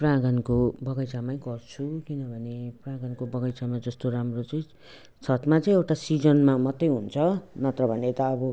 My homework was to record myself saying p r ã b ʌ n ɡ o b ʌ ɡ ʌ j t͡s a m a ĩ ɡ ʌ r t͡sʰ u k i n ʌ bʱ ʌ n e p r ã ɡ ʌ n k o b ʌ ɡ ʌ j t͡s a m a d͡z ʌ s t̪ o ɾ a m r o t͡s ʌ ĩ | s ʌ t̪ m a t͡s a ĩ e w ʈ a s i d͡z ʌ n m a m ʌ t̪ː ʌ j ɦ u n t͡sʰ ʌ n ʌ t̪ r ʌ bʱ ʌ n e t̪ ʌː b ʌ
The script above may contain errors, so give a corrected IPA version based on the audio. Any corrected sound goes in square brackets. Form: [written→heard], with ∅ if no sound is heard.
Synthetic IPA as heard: p r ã [b→ɡ] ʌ n [ɡ→k] o b ʌ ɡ ʌ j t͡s a m a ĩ ɡ ʌ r t͡sʰ u k i n ʌ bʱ ʌ n e p r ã ɡ ʌ n k o b ʌ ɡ ʌ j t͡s a m a d͡z ʌ s t̪ o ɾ a m r o t͡s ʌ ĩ | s ʌ t̪ m a t͡s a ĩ e w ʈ a s i d͡z ʌ n m a m ʌ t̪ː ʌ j ɦ u n t͡sʰ ʌ n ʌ t̪ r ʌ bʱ ʌ n e t̪ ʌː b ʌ

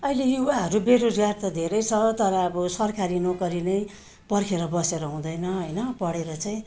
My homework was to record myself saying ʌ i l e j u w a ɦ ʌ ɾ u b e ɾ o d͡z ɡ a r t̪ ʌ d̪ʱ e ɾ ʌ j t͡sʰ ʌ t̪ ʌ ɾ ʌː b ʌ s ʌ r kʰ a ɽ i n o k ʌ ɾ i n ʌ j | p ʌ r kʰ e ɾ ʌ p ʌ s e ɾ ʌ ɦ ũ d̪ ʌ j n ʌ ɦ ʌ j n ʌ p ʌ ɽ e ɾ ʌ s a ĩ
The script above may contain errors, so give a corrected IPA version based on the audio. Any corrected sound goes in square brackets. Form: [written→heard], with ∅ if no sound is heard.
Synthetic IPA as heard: ʌ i l e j u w a ɦ ʌ ɾ u b e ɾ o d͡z ɡ a r t̪ ʌ d̪ʱ e ɾ ʌ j t͡sʰ ʌ t̪ ʌ ɾ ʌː b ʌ s ʌ r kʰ a [ɽ→ɾ] i n o k ʌ ɾ i n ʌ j | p ʌ r kʰ e ɾ ʌ [p→b] ʌ s e ɾ ʌ ɦ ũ d̪ ʌ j n ʌ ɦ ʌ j n ʌ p ʌ ɽ e ɾ ʌ [s→t͡s] a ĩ

